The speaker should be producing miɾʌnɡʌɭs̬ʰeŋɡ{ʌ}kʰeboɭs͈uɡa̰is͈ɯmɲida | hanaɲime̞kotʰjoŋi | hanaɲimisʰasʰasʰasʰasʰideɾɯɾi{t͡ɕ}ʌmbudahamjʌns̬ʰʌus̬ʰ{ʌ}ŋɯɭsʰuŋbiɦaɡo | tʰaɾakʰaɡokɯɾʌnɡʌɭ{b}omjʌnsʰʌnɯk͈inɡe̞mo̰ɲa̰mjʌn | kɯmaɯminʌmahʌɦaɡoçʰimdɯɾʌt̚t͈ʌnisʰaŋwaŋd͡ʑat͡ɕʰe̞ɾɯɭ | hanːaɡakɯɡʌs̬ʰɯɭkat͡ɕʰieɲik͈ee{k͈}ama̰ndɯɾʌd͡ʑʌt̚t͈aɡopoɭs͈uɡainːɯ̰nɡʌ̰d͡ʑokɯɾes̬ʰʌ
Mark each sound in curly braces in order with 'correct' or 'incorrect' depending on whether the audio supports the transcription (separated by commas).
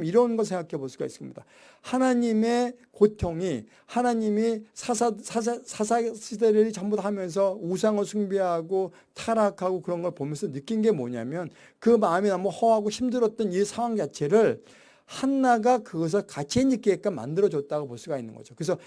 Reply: incorrect, correct, incorrect, incorrect, correct